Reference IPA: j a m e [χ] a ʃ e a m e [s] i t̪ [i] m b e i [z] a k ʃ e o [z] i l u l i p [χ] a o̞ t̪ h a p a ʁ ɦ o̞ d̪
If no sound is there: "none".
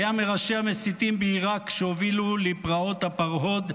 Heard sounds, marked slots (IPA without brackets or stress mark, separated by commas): ʁ, s, i, ʁ, v, ʁ